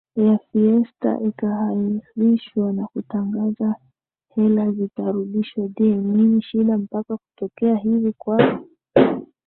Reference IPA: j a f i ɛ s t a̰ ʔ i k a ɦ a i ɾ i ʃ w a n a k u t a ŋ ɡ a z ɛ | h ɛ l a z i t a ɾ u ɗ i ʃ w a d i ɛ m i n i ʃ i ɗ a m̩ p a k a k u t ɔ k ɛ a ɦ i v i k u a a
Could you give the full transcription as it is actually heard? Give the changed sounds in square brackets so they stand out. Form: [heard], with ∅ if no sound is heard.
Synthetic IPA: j a f i ɛ s t a̰ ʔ i k a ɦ a i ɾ i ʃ w a n a k u t a ŋ ɡ a z [a] | h ɛ l a z i t a ɾ u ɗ i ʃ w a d i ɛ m i n i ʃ i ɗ a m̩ p a k a k u t ɔ k ɛ a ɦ i v i k [w] a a